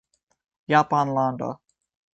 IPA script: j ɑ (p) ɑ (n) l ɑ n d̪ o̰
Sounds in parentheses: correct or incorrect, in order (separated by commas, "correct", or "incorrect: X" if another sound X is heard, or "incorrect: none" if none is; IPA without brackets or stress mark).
correct, correct